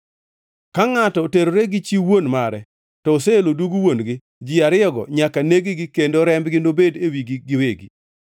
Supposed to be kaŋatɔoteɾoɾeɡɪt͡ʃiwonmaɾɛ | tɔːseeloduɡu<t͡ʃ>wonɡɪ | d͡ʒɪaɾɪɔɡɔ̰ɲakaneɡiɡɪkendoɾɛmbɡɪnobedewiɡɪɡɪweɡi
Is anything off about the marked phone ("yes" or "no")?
yes